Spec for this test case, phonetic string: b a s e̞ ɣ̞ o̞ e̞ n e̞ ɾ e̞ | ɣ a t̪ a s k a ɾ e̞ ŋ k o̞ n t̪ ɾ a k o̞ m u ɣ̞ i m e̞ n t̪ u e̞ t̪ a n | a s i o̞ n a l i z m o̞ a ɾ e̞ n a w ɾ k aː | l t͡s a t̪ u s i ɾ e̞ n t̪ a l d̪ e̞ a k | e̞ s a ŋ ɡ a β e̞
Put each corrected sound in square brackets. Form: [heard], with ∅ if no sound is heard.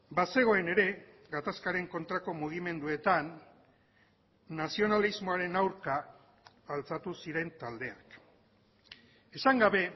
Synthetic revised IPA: b a s e̞ ɣ̞ o̞ e̞ n e̞ ɾ e̞ | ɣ a t̪ a s k a ɾ e̞ ŋ k o̞ n t̪ ɾ a k o̞ m u ɣ̞ i m e̞ n [d̪] u e̞ t̪ a n | a s i o̞ n a l i z m o̞ a ɾ e̞ n a w ɾ k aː | l t͡s a t̪ u s i ɾ e̞ n t̪ a l d̪ e̞ a k | e̞ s a ŋ ɡ a β e̞